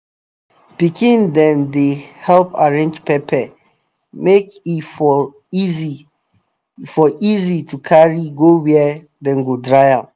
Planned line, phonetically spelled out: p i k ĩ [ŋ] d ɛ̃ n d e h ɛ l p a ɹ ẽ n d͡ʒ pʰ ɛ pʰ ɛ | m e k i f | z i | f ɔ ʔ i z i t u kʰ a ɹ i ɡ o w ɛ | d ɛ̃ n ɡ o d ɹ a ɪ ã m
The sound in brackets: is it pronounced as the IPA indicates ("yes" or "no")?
no